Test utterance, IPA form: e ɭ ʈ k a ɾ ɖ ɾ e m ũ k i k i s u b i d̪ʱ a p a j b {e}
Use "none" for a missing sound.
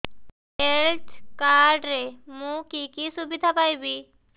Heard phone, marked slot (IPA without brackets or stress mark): i